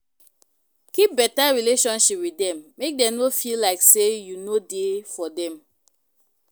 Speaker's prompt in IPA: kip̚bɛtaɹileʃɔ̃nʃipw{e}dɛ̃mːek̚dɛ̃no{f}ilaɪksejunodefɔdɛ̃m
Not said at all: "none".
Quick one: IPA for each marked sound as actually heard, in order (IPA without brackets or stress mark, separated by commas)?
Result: i, f